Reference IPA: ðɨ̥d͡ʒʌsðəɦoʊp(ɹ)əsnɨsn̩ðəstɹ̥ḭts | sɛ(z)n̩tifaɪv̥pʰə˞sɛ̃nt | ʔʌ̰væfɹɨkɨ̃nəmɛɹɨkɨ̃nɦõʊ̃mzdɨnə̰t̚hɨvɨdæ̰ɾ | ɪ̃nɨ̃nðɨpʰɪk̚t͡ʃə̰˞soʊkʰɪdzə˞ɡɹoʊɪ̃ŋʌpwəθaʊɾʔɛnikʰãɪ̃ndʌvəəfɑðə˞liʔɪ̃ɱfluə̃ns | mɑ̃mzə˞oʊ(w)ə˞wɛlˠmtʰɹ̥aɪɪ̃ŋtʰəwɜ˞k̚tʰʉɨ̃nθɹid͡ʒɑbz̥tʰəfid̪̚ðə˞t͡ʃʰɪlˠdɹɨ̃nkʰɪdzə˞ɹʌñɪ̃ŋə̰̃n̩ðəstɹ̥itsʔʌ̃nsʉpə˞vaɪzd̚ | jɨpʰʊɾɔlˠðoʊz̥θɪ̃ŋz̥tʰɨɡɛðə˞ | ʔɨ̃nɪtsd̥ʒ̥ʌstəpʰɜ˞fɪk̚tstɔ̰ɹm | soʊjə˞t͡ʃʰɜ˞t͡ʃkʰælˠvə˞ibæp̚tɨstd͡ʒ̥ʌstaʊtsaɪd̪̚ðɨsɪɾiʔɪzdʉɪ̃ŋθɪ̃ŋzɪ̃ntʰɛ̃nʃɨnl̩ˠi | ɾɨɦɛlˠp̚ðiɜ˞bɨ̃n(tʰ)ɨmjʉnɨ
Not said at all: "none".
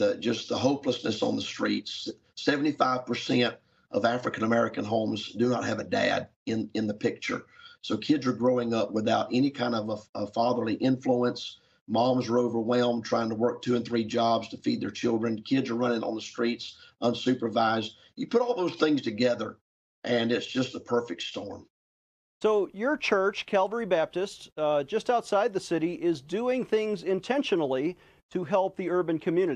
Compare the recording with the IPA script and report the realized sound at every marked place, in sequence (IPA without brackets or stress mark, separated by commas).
l, v, v, kʰ